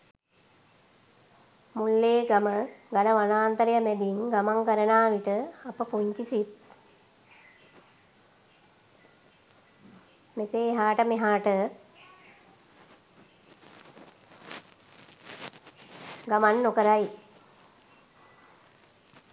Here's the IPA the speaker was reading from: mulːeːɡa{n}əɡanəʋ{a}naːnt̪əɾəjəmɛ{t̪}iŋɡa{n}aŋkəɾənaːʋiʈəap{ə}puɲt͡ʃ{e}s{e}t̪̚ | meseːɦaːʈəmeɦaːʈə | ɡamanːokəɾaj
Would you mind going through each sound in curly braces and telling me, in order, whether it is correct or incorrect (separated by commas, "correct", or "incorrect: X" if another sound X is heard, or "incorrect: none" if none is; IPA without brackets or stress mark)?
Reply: incorrect: m, correct, incorrect: d̪, incorrect: m, correct, incorrect: i, incorrect: i